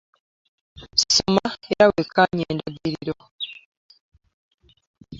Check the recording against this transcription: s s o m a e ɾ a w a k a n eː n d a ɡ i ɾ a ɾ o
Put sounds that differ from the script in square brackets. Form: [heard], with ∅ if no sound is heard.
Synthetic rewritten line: s s o m a e ɾ a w [e] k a [ɲ] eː n d a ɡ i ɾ [i] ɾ o